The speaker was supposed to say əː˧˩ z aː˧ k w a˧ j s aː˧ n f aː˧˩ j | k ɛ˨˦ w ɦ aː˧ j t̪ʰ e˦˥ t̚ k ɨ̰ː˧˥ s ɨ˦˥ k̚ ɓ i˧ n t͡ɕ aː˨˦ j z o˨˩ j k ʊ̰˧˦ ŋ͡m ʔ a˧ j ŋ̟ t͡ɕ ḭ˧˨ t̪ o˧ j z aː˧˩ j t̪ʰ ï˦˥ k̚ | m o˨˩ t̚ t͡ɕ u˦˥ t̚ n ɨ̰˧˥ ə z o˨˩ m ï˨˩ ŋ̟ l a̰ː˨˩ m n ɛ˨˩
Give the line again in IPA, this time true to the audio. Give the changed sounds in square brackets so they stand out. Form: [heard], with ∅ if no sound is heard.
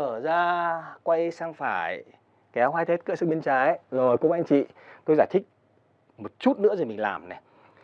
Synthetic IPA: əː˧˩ z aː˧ k w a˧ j s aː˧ [ŋ] f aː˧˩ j | k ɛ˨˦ w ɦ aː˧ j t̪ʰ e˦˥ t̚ k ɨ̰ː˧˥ s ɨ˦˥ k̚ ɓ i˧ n t͡ɕ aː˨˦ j z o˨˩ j k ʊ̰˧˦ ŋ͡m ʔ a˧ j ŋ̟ t͡ɕ ḭ˧˨ t̪ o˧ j z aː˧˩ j t̪ʰ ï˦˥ k̚ | m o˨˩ t̚ t͡ɕ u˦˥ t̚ n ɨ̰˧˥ ə z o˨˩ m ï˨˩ ŋ̟ l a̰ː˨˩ m n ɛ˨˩